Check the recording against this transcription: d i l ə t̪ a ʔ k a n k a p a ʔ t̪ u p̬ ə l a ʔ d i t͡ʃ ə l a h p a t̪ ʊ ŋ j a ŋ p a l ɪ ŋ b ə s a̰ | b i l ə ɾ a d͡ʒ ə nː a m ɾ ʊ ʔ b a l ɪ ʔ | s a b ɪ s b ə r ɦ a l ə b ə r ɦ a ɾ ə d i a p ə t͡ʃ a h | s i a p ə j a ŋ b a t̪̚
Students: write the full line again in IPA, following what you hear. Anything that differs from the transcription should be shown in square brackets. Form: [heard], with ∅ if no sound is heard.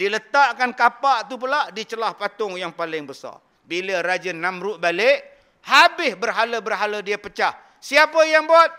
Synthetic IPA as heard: d i l ə t̪ a ʔ k a n k a p a ʔ t̪ u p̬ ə l a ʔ d i t͡ʃ ə l a h p a t̪ ʊ ŋ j a ŋ p a l ɪ ŋ b ə s a̰ | b i l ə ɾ a d͡ʒ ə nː a m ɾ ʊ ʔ b a l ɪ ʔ | [h] a b ɪ s b ə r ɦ a l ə b ə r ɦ a [l] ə d i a p ə t͡ʃ a h | s i a p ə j a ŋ b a t̪̚